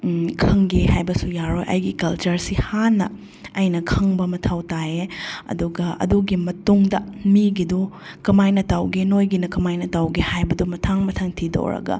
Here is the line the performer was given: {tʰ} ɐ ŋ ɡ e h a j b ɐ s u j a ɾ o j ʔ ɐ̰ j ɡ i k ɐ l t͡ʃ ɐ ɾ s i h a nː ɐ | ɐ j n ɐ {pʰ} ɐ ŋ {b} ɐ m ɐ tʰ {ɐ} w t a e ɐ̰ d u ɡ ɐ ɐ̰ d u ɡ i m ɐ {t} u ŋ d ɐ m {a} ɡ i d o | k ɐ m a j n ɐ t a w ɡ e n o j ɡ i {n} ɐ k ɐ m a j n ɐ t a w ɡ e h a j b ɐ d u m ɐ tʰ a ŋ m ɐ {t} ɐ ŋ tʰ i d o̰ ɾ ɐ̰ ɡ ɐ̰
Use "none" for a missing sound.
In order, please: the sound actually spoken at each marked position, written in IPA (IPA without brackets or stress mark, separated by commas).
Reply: kʰ, kʰ, b, a, t, i, n, tʰ